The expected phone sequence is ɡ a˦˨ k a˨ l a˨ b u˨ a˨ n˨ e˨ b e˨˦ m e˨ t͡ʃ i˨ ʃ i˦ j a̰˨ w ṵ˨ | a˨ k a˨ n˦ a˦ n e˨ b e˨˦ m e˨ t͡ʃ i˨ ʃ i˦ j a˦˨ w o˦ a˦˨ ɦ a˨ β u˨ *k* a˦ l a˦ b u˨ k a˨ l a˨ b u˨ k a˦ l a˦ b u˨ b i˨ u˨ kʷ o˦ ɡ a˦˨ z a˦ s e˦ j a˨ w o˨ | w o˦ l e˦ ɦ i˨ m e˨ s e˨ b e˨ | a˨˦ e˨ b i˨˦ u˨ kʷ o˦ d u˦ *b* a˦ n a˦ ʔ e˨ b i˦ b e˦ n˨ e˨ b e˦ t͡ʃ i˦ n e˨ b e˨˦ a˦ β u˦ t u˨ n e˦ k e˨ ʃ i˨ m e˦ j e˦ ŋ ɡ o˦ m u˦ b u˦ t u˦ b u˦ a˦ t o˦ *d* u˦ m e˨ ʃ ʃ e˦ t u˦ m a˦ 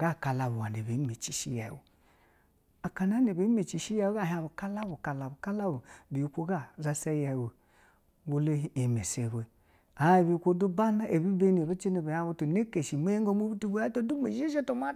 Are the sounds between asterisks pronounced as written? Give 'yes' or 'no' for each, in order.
yes, yes, yes

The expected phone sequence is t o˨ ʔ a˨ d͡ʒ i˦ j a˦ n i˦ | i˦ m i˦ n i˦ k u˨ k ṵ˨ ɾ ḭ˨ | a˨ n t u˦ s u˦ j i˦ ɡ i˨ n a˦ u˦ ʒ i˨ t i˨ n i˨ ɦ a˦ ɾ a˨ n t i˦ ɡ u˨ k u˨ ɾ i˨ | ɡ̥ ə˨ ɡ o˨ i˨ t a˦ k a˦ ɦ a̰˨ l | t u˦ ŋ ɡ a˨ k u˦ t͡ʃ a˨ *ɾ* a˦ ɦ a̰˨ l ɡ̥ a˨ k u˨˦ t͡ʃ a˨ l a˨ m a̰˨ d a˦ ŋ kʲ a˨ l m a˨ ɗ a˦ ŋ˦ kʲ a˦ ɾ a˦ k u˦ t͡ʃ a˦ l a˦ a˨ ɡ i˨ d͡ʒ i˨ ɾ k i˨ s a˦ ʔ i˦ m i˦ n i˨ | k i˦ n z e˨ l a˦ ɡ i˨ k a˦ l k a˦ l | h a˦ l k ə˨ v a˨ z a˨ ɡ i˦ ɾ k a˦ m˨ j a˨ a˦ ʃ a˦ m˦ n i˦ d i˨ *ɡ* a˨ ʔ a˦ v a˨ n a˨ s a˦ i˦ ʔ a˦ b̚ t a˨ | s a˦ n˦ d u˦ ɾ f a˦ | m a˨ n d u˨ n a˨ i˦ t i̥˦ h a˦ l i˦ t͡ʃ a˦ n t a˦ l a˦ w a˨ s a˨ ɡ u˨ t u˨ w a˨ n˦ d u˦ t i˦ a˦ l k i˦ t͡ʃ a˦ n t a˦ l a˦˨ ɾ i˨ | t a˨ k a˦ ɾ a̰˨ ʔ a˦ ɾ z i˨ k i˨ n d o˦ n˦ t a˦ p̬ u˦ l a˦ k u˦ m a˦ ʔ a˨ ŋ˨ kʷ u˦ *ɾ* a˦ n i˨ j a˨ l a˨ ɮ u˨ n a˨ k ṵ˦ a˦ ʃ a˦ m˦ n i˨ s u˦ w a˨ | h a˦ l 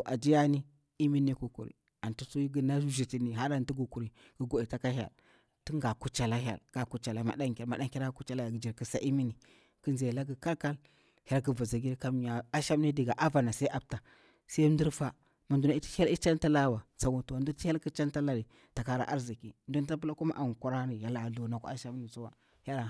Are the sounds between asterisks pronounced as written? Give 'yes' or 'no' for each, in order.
no, yes, yes

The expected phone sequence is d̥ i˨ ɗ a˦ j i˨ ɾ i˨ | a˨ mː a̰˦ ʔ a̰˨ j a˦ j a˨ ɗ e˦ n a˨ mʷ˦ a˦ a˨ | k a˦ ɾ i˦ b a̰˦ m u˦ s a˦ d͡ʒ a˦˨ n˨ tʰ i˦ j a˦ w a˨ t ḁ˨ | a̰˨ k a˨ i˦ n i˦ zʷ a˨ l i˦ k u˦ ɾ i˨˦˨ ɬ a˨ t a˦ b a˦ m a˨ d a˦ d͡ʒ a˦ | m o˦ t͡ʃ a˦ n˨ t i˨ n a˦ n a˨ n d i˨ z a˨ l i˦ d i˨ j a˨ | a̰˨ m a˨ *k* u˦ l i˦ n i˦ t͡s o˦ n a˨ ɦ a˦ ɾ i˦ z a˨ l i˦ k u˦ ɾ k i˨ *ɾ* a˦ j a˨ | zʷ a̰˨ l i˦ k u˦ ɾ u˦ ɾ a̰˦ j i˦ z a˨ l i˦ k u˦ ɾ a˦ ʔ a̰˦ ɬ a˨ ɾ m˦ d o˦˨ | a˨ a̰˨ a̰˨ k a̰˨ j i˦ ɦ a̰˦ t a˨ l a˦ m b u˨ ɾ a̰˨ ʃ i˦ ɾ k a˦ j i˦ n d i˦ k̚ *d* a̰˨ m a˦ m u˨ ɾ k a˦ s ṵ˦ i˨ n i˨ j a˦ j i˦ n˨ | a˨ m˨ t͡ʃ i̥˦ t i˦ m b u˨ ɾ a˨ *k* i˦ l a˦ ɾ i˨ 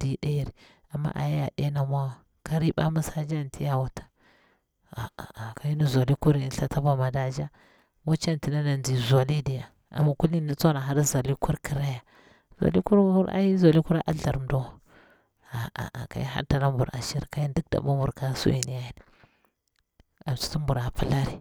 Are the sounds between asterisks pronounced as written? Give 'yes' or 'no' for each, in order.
yes, yes, yes, no

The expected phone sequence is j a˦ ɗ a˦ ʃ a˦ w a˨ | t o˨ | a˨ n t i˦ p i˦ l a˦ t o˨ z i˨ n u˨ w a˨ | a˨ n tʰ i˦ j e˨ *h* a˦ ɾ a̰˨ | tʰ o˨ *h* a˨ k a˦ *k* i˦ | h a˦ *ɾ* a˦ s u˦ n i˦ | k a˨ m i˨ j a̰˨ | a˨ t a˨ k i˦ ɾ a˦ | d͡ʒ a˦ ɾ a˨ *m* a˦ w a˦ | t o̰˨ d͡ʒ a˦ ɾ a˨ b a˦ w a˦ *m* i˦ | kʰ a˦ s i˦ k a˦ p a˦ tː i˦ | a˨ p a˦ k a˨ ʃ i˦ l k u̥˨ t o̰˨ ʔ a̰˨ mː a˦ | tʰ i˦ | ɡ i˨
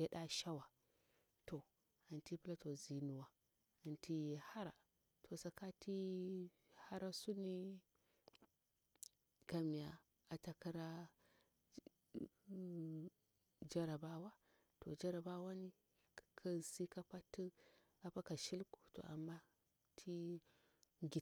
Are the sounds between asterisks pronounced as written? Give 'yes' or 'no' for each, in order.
yes, no, no, yes, no, no

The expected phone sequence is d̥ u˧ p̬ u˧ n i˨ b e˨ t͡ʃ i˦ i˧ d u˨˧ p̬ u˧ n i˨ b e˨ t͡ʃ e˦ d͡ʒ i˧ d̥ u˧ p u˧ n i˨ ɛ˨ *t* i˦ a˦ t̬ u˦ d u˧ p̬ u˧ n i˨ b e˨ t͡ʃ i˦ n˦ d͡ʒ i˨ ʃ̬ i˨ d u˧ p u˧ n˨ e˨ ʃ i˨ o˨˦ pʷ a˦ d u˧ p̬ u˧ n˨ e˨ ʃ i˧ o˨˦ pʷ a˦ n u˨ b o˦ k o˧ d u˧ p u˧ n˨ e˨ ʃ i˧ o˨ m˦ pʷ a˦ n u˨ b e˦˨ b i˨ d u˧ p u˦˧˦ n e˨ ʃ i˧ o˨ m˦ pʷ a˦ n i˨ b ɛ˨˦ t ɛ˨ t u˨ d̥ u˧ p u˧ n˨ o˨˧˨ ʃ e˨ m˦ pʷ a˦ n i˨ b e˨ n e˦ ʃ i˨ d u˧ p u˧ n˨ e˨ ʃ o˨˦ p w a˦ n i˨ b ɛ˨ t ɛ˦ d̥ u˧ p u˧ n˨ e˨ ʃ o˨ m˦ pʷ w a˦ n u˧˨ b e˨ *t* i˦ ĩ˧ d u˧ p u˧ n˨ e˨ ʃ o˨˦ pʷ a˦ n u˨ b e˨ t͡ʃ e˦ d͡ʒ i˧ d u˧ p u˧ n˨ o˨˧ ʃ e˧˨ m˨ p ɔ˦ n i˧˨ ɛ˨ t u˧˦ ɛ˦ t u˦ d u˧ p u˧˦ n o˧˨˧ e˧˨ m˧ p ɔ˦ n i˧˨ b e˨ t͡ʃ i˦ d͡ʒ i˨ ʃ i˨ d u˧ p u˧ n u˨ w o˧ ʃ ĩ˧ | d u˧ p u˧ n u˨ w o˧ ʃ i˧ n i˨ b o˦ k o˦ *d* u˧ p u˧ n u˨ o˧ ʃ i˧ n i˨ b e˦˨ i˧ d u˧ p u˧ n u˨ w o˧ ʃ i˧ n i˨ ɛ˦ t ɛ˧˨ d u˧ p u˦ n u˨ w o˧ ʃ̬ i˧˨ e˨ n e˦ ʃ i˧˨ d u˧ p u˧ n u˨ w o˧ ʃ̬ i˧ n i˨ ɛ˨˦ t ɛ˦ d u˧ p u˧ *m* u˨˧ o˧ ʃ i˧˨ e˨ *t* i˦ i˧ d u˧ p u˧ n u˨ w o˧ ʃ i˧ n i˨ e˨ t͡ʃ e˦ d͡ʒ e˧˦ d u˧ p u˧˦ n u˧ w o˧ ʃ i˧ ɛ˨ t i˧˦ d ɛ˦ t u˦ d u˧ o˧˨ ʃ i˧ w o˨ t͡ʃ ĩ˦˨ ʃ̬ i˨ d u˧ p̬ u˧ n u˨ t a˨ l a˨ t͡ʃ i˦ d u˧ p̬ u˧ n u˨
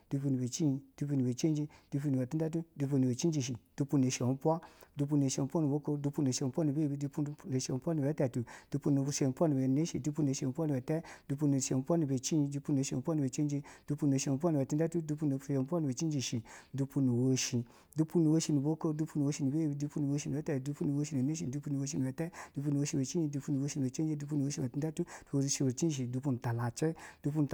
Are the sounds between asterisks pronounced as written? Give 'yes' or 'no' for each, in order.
yes, no, yes, no, no

